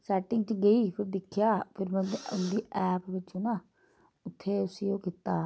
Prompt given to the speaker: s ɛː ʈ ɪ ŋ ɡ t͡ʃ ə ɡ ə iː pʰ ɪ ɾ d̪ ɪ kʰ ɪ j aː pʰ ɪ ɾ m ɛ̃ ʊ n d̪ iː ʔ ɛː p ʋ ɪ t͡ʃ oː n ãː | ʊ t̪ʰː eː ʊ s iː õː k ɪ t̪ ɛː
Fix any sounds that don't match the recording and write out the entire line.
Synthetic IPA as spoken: s ɛː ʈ ɪ ŋ ɡ t͡ʃ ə ɡ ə iː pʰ ɪ ɾ d̪ ɪ kʰ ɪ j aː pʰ ɪ ɾ m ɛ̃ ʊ n d̪ iː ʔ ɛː p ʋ ɪ t͡ʃ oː n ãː | ʊ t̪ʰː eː ʊ s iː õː k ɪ t̪ aː